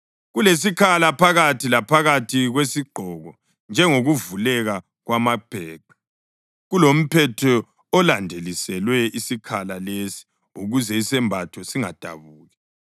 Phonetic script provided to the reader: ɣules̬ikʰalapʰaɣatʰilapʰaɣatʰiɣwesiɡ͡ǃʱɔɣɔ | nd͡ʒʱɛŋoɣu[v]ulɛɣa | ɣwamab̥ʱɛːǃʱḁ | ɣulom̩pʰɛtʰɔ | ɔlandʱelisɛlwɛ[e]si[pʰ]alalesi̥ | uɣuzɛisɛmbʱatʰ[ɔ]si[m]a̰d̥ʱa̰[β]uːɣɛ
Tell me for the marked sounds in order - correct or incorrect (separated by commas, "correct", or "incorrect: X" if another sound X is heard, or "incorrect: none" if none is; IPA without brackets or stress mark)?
correct, incorrect: i, incorrect: kʰ, correct, incorrect: ŋ, correct